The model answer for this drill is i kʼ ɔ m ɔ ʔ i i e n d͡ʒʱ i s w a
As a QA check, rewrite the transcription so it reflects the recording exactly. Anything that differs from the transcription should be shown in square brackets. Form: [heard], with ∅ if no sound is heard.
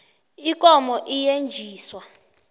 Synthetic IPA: i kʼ ɔ m ɔ ʔ i [j] e n d͡ʒʱ [iː] s w a